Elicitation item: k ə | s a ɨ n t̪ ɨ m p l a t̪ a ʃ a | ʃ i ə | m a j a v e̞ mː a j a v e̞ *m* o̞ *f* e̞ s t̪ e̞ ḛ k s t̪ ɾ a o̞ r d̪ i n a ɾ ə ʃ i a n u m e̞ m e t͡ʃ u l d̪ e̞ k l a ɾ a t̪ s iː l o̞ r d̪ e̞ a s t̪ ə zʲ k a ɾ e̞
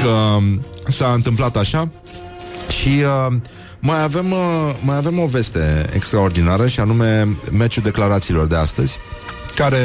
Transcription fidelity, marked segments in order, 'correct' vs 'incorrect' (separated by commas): correct, incorrect